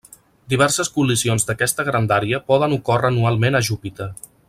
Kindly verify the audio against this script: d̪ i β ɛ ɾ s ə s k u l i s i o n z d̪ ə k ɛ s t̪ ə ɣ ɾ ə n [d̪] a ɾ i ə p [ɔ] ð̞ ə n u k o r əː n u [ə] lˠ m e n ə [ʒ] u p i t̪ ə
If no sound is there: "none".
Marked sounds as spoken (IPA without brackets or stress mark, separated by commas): d̪, ɔ, a, ʒ